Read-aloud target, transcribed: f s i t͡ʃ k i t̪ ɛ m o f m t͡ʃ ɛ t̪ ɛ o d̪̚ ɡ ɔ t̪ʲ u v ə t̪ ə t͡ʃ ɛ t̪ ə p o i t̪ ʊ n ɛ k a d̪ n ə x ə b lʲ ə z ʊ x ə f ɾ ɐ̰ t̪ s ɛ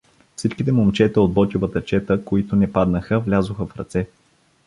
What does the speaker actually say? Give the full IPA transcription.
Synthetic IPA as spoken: f s i t͡ʃ k i t̪ ɛ m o m t͡ʃ ɛ t̪ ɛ o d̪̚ b ɔ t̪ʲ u v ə t̪ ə t͡ʃ ɛ t̪ ə k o i t̪ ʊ n ɛ p a d̪ n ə x ə v lʲ a z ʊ x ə f ɾ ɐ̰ t̪ s ɛ